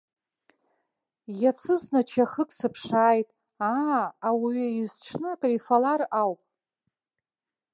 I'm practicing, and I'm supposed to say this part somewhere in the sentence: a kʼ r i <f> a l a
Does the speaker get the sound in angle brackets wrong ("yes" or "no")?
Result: no